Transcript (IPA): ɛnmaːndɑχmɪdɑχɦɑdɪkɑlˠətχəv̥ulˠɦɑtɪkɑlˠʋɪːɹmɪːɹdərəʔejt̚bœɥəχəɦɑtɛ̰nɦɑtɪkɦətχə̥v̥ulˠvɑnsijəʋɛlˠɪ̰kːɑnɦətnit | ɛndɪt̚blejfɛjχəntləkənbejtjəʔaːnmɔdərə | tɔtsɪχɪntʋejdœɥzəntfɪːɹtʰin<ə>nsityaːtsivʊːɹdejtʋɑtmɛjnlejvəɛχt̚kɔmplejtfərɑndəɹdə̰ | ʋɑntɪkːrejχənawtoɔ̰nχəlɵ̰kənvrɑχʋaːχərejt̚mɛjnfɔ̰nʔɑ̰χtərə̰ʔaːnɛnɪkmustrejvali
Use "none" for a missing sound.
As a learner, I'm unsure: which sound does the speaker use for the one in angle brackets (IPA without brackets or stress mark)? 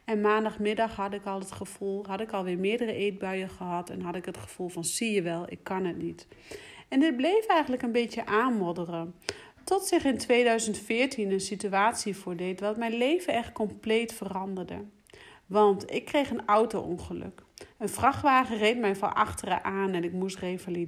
ə